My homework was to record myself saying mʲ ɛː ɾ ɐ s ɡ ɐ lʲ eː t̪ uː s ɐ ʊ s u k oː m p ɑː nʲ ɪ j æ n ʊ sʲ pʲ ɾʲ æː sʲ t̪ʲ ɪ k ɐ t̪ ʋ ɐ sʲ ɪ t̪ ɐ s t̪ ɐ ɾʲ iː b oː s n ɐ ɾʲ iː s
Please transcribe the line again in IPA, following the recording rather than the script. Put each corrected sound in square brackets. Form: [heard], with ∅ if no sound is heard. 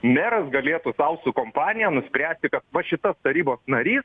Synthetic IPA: mʲ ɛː ɾ ɐ s ɡ ɐ lʲ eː t̪ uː s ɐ ʊ s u k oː m p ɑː nʲ ɪ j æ n ʊ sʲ pʲ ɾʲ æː sʲ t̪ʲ ɪ k ɐ t̪ ʋ ɐ [ʃʲ] ɪ t̪ ɐ s t̪ ɐ ɾʲ iː b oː s n ɐ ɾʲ iː s

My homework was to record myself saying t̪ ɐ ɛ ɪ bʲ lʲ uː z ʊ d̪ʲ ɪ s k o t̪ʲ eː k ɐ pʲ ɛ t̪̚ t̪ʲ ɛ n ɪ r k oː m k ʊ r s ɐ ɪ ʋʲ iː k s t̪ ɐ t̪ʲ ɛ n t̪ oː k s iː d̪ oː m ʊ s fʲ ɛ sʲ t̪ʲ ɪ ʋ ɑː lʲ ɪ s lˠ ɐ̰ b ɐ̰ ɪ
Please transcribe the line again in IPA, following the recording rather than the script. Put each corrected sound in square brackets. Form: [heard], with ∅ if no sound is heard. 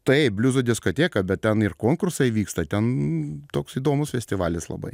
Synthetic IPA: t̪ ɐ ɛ ɪ bʲ lʲ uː z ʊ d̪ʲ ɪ s k o t̪ʲ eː k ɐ [bʲ] ɛ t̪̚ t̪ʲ ɛ n ɪ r k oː [ŋ] k ʊ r s ɐ ɪ ʋʲ iː k s t̪ ɐ t̪ʲ ɛ n t̪ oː k s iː d̪ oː m ʊ s fʲ ɛ sʲ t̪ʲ ɪ ʋ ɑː lʲ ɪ s lˠ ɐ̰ b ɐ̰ ɪ

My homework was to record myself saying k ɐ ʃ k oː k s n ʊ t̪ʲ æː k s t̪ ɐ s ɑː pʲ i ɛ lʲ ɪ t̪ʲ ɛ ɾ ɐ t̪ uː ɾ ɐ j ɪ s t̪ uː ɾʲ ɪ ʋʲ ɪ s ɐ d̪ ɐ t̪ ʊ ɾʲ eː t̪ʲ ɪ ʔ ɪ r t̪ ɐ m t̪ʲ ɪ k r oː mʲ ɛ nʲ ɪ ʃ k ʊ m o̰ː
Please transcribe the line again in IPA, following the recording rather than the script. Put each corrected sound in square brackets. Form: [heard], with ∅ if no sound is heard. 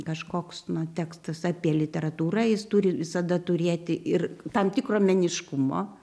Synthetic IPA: k ɐ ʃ k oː k s n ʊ t̪ʲ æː k s t̪ ɐ s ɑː pʲ i ɛ lʲ ɪ t̪ʲ ɛ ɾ ɐ t̪ uː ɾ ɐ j ɪ s t̪ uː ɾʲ ɪ ʋʲ ɪ s ɐ d̪ ɐ t̪ ʊ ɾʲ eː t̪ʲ ɪ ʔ ɪ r t̪ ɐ m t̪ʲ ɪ k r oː mʲ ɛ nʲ ɪ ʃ k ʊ m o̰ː

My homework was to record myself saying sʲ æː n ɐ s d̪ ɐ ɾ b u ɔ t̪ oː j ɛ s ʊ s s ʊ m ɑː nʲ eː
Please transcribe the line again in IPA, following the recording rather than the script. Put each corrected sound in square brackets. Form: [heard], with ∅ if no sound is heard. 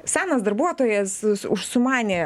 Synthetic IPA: sʲ æː n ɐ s d̪ ɐ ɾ b u ɔ t̪ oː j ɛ s ʊ [ʃ] s ʊ m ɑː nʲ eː

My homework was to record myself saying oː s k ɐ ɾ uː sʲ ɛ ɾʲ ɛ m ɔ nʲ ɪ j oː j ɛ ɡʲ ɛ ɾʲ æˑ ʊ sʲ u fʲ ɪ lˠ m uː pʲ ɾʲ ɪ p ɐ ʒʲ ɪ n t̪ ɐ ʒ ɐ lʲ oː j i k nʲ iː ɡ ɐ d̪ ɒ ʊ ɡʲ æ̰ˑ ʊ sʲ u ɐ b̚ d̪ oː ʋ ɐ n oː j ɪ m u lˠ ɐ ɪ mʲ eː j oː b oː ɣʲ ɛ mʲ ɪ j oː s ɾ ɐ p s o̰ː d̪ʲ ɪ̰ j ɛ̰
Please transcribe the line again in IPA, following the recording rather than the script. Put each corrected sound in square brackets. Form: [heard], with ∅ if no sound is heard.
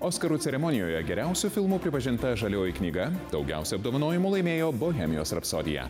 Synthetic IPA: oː s k ɐ ɾ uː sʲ ɛ ɾʲ ɛ m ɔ nʲ ɪ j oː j ɛ ɡʲ ɛ ɾʲ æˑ ʊ sʲ u fʲ ɪ lˠ m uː pʲ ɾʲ ɪ p ɐ ʒʲ ɪ n t̪ ɐ ʒ ɐ lʲ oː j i k nʲ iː ɡ ɐ d̪ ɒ ʊ ɡʲ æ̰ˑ ʊ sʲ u ɐ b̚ d̪ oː ʋ ɐ n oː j ɪ m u lˠ ɐ ɪ mʲ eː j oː b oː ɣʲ ɛ mʲ ɪ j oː s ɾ ɐ p s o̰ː d̪ʲ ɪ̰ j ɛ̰

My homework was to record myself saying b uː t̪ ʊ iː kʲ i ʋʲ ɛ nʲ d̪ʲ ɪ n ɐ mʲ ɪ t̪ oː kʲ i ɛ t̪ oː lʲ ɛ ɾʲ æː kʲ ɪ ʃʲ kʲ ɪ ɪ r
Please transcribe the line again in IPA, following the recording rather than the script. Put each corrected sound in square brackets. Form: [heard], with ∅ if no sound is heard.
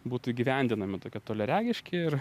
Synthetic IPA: b uː t̪ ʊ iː [ɡʲ] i ʋʲ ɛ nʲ d̪ʲ ɪ n ɐ mʲ ɪ t̪ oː kʲ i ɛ t̪ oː lʲ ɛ ɾʲ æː [ɡʲ] ɪ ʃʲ kʲ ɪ ɪ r

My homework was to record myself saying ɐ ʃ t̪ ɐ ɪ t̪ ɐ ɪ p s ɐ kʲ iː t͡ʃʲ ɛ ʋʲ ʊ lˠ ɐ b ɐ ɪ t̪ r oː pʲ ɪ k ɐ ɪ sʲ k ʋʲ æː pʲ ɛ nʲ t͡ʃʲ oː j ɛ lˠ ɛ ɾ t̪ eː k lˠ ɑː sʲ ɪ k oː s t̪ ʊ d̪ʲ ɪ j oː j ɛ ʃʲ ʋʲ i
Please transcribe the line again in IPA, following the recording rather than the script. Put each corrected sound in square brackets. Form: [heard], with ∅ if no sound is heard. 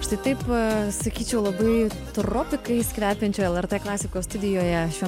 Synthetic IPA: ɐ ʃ t̪ ɐ ɪ t̪ ɐ ɪ p s ɐ kʲ iː t͡ʃʲ ɛ [∅] ʊ lˠ ɐ b ɐ ɪ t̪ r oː pʲ ɪ k ɐ ɪ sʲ k ʋʲ æː pʲ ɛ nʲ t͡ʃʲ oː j ɛ lˠ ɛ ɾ t̪ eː k lˠ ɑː sʲ ɪ k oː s t̪ ʊ d̪ʲ ɪ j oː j ɛ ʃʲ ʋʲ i

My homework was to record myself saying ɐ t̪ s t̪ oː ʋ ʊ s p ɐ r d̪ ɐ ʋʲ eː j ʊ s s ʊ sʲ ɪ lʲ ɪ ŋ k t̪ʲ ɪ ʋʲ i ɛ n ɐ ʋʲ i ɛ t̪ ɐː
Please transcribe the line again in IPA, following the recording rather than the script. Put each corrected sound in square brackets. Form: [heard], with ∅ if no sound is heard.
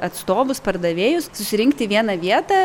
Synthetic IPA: ɐ t̪ s t̪ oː ʋ ʊ s p ɐ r d̪ ɐ ʋʲ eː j ʊ s s ʊ sʲ ɪ [ɾʲ] ɪ ŋ k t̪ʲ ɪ ʋʲ i ɛ n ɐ ʋʲ i ɛ t̪ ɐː

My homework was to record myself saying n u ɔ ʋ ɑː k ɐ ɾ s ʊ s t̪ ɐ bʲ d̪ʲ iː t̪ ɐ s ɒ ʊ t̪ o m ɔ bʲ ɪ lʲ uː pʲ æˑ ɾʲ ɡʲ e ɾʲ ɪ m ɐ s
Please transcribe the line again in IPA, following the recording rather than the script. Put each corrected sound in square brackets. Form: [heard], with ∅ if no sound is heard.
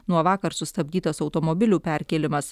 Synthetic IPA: n u ɔ ʋ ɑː k ɐ ɾ s ʊ s t̪ ɐ bʲ d̪ʲ iː t̪ ɐ s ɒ ʊ t̪ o m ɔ bʲ ɪ lʲ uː pʲ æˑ ɾʲ [kʲ] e [lʲ] ɪ m ɐ s

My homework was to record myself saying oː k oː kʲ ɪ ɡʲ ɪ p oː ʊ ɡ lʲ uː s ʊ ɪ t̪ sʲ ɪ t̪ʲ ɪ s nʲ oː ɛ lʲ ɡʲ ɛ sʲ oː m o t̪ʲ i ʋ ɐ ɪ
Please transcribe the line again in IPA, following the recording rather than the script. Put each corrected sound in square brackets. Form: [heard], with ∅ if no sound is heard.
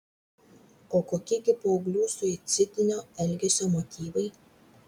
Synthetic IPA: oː k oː kʲ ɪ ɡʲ ɪ p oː ʊ ɡ lʲ uː s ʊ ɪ t̪ sʲ ɪ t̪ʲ ɪ [∅] nʲ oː ɛ lʲ ɡʲ ɛ sʲ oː m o t̪ʲ [iː] ʋ ɐ ɪ

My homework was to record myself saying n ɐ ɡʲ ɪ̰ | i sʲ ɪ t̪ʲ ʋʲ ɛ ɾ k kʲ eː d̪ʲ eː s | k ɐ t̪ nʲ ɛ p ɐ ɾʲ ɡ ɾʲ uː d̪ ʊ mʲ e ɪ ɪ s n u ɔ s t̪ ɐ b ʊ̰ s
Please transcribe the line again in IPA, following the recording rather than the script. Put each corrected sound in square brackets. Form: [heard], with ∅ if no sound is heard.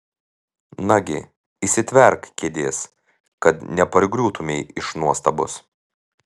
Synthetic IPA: n ɐ ɡʲ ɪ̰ | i sʲ ɪ t̪ʲ ʋʲ ɛ ɾ k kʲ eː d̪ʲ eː s | k ɐ t̪ nʲ ɛ p ɐ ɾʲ ɡ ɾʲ uː [t̪] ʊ mʲ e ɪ ɪ [ʃ] n u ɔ s t̪ ɐ b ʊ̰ s

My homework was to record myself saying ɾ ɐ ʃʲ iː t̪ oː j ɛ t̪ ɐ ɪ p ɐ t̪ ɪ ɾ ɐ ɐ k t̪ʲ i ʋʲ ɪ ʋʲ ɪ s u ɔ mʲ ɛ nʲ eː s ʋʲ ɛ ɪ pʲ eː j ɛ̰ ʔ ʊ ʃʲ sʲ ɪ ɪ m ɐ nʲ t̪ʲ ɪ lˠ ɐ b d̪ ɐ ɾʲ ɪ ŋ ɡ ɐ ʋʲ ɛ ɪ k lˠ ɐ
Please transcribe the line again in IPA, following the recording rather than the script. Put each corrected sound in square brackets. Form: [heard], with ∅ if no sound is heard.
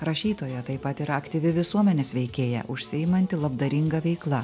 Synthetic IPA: ɾ ɐ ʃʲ iː t̪ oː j ɛ t̪ ɐ ɪ p ɐ t̪ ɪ ɾ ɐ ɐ k t̪ʲ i ʋʲ ɪ ʋʲ ɪ s u ɔ mʲ ɛ nʲ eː s ʋʲ ɛ ɪ [kʲ] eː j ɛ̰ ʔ ʊ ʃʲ sʲ ɪ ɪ m ɐ nʲ t̪ʲ ɪ lˠ ɐ b d̪ ɐ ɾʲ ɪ ŋ ɡ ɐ ʋʲ ɛ ɪ k lˠ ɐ

